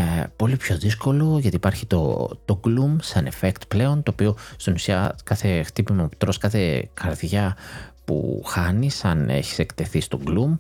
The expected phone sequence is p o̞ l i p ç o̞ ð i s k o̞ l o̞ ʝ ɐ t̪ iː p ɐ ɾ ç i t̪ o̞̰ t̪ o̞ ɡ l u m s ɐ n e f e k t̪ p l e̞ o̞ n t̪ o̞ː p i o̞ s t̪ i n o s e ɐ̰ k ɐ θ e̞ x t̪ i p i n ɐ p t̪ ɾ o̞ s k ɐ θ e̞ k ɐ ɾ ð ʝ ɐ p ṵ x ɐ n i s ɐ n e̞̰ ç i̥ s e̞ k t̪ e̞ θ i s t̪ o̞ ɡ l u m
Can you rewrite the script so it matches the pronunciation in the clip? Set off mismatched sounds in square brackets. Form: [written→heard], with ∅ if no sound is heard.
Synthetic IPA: p o̞ l i p ç o̞ ð i s k o̞ l o̞ ʝ ɐ t̪ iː p ɐ ɾ ç i t̪ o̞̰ t̪ o̞ ɡ l u m s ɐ n e f e k t̪ p l e̞ o̞ n t̪ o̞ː p i o̞ s t̪ i n [o→u] s [e→i] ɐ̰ k ɐ θ e̞ x t̪ i p i [n→m] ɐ p t̪ ɾ o̞ s k ɐ θ e̞ k ɐ ɾ ð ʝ ɐ p ṵ x ɐ n i s ɐ n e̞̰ ç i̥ s e̞ k t̪ e̞ θ i s t̪ o̞ ɡ l u m